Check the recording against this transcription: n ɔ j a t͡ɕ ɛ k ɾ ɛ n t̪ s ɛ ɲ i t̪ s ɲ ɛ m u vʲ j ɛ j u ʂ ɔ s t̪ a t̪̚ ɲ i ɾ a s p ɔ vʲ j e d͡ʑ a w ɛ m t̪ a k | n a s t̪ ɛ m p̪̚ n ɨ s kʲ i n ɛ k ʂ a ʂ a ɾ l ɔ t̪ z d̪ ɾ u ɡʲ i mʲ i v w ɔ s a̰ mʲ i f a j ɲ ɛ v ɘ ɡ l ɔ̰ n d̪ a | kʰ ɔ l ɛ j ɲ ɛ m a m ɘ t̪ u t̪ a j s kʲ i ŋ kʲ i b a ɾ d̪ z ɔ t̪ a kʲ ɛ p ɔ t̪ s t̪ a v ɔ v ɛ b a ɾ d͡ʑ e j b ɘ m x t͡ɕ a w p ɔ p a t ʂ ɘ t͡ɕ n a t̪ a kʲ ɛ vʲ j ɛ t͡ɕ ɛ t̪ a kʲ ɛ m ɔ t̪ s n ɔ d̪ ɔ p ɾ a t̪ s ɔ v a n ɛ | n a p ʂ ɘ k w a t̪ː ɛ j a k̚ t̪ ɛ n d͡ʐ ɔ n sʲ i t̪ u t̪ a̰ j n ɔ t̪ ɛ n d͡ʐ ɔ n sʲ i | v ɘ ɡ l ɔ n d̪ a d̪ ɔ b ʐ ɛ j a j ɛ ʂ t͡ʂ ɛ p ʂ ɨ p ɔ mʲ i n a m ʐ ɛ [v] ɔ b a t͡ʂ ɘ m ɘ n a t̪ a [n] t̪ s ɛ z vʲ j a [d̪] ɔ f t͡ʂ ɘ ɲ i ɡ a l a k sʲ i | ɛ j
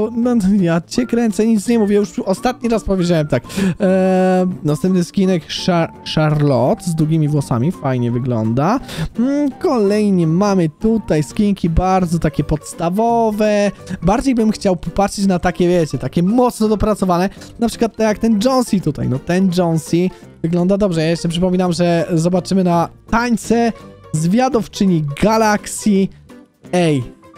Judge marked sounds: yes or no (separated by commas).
no, no, yes